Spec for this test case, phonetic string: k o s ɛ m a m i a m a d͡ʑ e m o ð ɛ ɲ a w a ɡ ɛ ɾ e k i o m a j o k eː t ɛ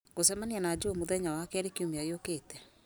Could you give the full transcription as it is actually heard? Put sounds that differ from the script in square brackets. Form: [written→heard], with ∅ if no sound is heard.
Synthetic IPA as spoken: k o s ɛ m a [m→n] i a [m→n] a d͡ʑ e m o ð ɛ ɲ a w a [ɡ→k] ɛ ɾ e k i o m a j o k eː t ɛ